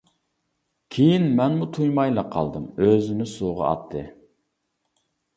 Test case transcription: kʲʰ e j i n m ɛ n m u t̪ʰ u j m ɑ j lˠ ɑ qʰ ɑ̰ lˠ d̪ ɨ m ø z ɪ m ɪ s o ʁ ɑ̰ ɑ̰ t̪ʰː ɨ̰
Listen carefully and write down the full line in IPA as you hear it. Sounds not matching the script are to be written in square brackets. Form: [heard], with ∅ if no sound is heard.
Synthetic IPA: kʲʰ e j i n m ɛ n m u t̪ʰ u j m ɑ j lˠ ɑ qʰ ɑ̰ lˠ d̪ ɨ m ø z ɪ [n] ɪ s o ʁ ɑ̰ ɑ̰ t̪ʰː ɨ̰